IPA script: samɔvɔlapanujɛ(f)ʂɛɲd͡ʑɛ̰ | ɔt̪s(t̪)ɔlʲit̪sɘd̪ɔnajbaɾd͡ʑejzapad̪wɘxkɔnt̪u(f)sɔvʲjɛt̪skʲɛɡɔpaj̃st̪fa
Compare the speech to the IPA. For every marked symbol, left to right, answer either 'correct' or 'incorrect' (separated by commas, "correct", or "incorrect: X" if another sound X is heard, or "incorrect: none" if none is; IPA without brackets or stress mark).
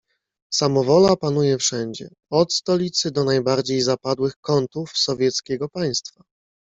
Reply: correct, correct, correct